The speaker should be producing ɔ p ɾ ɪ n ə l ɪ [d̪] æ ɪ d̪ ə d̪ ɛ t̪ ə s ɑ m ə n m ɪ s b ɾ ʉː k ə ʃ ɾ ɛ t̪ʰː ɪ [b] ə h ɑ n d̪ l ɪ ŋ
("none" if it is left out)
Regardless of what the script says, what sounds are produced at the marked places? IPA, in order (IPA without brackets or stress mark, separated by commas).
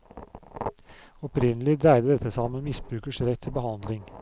d̪, b